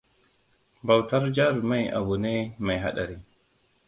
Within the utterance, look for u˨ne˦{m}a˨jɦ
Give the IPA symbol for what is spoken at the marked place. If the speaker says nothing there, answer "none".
m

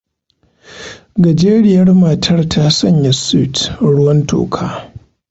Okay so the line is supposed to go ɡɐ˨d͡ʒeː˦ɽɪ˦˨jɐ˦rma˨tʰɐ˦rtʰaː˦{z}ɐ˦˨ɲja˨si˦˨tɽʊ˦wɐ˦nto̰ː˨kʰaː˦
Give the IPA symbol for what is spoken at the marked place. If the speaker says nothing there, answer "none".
s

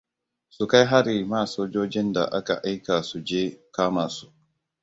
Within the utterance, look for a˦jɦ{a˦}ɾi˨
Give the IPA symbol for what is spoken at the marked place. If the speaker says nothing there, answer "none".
a˦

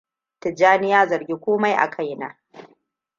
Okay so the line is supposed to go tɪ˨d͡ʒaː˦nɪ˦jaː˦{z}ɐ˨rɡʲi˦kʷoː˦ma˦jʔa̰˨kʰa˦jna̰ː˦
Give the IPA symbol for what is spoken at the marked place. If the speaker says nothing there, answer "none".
z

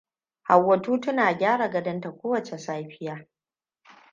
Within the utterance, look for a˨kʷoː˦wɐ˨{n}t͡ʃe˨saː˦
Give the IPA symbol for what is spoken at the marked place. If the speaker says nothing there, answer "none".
none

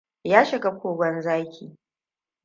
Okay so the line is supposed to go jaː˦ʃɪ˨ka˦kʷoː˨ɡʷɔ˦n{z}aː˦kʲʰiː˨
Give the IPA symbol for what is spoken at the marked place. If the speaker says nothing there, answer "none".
z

